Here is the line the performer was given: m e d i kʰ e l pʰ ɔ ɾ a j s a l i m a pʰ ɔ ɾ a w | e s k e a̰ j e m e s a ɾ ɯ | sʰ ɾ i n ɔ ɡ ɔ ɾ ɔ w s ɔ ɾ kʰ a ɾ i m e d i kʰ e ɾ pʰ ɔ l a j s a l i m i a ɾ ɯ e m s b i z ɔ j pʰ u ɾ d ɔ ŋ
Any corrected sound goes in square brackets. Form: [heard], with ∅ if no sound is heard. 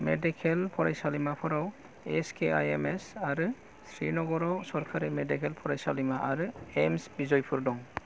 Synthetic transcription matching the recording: m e d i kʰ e l pʰ ɔ ɾ a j s a l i m a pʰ ɔ ɾ a w | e s k e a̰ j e m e s a ɾ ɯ | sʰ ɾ i n ɔ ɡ ɔ ɾ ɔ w s ɔ ɾ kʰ a ɾ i m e d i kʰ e [l] pʰ ɔ [ɾ] a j s a l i m [a] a ɾ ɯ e m s b i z ɔ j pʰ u ɾ d ɔ ŋ

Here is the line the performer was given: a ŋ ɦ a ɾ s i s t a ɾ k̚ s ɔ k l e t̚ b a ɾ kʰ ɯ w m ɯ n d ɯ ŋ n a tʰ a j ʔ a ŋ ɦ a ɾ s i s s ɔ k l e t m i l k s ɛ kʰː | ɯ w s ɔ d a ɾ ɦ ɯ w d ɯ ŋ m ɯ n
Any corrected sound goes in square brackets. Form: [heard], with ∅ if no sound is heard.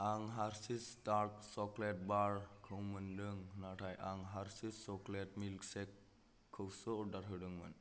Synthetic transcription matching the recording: a ŋ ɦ a ɾ s i s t a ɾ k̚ s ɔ k l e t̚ b a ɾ kʰ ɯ w m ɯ n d ɯ ŋ n a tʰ a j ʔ a ŋ ɦ a ɾ s i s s ɔ k l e t m i l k s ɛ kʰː | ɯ w s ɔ d a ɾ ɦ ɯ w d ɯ ŋ m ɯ n

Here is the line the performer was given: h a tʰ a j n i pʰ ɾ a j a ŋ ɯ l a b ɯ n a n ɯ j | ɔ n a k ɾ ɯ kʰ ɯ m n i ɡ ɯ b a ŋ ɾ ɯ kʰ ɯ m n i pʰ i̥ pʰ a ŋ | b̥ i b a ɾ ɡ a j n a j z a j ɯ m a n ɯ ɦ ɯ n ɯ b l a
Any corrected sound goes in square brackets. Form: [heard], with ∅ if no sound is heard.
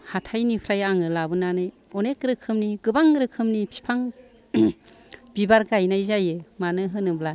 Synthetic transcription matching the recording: h a tʰ a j n i pʰ ɾ a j a ŋ ɯ l a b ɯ n a n ɯ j | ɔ n [e] k ɾ ɯ kʰ ɯ m n i ɡ ɯ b a ŋ ɾ ɯ kʰ ɯ m n i pʰ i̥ pʰ a ŋ | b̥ i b a ɾ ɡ a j n a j z a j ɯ m a n ɯ ɦ ɯ n ɯ b l a

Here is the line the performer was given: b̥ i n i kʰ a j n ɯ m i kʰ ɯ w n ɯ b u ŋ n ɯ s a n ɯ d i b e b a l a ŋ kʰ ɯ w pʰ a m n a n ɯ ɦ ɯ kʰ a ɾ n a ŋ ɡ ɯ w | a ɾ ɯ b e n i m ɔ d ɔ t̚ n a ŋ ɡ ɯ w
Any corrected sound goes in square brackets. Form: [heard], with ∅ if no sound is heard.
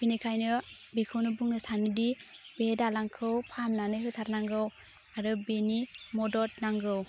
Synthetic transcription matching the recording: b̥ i n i kʰ a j n ɯ [b] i kʰ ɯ w n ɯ b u ŋ n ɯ s a n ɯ d i b e [d] a l a ŋ kʰ ɯ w pʰ a m n a n ɯ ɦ ɯ [tʰ] a ɾ n a ŋ ɡ ɯ w | a ɾ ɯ b e n i m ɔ d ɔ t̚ n a ŋ ɡ ɯ w

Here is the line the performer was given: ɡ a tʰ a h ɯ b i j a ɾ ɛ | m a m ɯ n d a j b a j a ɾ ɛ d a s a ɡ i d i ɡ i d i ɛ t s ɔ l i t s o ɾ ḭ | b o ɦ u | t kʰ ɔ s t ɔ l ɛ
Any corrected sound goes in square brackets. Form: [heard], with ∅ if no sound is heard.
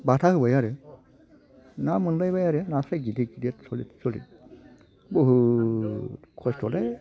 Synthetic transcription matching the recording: [b] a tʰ a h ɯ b [a] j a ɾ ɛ | [n] a m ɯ n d a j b a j a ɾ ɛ [n] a s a ɡ i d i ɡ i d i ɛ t s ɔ l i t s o [l] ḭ | b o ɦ u | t kʰ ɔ s t ɔ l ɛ

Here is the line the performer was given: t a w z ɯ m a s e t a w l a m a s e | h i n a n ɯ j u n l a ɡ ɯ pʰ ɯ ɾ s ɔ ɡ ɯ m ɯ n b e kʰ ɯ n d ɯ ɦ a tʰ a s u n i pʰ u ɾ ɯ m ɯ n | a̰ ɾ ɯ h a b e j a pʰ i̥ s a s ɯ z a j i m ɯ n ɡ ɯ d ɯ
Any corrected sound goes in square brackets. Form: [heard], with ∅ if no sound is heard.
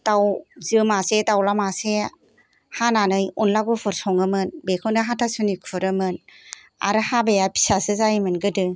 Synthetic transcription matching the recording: t a w z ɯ m a s e t a w l a m a s e | h [a] n a n ɯ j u n l a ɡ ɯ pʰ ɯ ɾ s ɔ [ŋ] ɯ m ɯ n b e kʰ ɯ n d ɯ ɦ a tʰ a s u n i [kʰ] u ɾ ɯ m ɯ n | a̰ ɾ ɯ h a b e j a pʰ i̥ s a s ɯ z a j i m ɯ n ɡ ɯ d ɯ

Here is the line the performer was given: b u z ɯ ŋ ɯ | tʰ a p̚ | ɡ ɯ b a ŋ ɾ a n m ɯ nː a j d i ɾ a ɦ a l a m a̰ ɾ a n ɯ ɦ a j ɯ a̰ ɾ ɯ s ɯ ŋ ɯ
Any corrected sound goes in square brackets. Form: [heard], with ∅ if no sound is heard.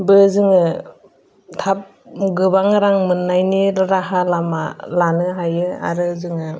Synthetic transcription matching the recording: b [ɯ] z ɯ ŋ ɯ | tʰ a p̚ | ɡ ɯ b a ŋ ɾ a [ŋ] m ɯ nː a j [n] i ɾ a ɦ a l a m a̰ [l] a n ɯ ɦ a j ɯ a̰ ɾ ɯ [z] ɯ ŋ ɯ

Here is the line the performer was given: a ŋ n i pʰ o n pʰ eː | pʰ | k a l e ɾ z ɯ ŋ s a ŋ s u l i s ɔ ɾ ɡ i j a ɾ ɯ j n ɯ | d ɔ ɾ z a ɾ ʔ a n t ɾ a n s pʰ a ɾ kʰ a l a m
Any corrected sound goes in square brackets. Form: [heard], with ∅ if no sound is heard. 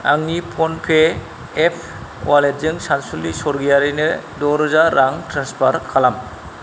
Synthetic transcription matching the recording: a ŋ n i pʰ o n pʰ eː | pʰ | k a l e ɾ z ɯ ŋ s a [n] s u l i s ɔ ɾ ɡ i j a ɾ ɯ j n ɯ | d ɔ ɾ z a ɾ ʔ a [ŋ] t ɾ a n s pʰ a ɾ kʰ a l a m

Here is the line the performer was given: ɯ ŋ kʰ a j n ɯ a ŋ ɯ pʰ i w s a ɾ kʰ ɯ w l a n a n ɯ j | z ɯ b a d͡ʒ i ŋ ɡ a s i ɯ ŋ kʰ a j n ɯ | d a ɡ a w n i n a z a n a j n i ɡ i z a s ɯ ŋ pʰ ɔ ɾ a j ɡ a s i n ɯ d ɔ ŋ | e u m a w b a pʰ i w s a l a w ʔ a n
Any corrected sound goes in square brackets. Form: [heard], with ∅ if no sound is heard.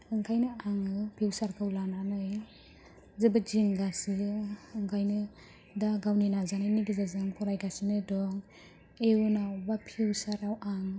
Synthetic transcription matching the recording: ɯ ŋ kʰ a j n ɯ a ŋ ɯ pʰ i w s a ɾ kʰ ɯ w l a n a n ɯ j | z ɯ b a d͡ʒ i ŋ ɡ a s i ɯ ŋ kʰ a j n ɯ | d a ɡ a w n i n a z a n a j n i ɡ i z a [z] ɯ ŋ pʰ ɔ ɾ a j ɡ a s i n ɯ d ɔ ŋ | e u [n] a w b a pʰ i w s a [ɾ] a w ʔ a [ŋ]

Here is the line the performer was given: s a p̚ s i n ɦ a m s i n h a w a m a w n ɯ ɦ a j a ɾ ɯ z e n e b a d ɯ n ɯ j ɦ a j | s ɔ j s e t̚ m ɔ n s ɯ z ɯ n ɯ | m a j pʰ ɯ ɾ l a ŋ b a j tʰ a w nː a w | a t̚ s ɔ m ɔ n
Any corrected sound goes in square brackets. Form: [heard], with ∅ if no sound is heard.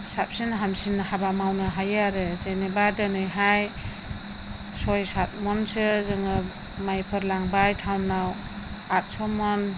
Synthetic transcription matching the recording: s a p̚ s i n ɦ a m s i n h a [b] a m a w n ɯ ɦ a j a ɾ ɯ z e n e b a d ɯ n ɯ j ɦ a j | s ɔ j s [a] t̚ m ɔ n s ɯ z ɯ [ŋ] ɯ | m a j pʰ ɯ ɾ l a ŋ b a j tʰ a w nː a w | a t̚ s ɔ m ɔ n

